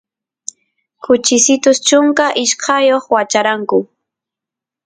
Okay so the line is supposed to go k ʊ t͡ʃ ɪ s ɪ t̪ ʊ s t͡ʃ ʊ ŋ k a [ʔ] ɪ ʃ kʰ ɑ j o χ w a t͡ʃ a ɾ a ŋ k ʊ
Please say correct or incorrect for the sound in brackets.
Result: correct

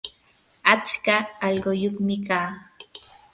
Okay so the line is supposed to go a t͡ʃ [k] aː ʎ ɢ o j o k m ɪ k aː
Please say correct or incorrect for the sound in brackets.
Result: correct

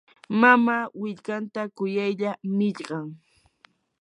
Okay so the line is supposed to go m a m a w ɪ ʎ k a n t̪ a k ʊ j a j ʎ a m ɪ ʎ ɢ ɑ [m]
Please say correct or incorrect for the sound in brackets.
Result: incorrect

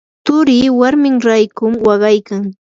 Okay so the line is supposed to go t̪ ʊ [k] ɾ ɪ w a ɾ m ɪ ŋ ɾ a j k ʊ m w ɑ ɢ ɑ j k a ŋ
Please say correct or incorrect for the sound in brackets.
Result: incorrect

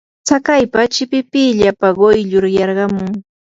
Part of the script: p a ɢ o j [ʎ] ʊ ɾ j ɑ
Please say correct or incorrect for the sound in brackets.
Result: correct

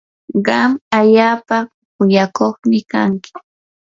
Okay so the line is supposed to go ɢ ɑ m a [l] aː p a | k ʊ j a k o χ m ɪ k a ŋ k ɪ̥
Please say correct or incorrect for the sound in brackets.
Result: incorrect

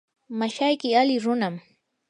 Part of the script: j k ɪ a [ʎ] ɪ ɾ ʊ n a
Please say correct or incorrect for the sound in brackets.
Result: incorrect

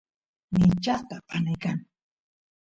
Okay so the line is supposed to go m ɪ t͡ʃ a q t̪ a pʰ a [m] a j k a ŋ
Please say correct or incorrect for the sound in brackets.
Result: incorrect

